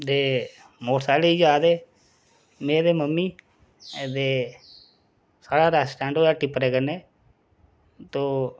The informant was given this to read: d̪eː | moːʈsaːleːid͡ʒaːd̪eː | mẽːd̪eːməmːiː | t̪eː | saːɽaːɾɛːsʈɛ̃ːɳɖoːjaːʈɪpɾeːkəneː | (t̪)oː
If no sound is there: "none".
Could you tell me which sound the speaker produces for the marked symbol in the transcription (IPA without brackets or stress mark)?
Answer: t̪